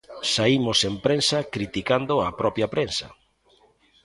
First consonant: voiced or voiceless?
voiceless